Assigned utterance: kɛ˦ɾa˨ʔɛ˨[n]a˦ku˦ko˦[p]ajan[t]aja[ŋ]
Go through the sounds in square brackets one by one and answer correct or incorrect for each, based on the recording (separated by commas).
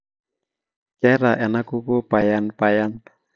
correct, correct, incorrect, incorrect